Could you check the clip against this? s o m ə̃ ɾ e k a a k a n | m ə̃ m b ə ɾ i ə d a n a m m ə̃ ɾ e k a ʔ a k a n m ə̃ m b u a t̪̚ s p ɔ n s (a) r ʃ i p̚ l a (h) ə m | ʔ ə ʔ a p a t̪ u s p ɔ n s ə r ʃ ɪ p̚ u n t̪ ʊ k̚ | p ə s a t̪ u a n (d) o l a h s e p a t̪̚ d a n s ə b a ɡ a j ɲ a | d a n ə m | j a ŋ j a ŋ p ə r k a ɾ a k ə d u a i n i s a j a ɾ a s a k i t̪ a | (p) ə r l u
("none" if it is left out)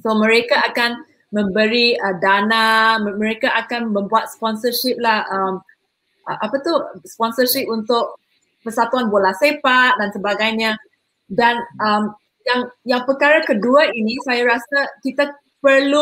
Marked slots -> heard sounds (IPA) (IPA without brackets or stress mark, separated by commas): ə, h, b, p